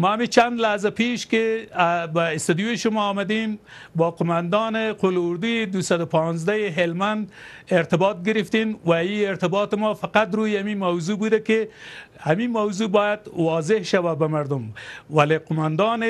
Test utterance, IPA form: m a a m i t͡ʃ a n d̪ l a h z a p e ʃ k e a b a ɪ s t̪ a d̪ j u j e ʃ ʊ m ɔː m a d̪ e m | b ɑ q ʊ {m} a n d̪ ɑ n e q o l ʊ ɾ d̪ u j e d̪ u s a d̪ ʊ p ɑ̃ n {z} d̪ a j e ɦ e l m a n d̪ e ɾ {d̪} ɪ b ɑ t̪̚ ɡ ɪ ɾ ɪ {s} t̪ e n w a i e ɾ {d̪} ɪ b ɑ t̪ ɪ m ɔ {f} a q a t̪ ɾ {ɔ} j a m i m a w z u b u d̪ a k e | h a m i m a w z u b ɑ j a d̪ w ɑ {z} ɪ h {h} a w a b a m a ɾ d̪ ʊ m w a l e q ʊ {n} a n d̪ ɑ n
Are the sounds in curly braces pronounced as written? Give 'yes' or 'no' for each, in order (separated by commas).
yes, yes, no, no, no, yes, no, yes, no, no